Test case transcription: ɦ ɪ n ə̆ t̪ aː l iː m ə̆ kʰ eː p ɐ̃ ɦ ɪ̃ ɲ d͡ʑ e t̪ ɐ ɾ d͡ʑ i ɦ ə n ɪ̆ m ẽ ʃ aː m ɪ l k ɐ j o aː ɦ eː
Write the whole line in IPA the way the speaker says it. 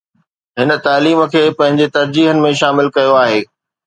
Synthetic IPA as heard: ɦ ɪ n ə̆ t̪ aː l iː m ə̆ kʰ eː p ɐ̃ ɦ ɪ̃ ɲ d͡ʑ e t̪ ɐ ɾ d͡ʑ iː ɦ ə n ɪ̆ m ẽ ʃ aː m ɪ l k ɐ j o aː ɦ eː